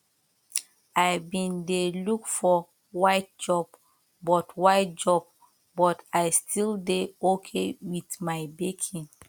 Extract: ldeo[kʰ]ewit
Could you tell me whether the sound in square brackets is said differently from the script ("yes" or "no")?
no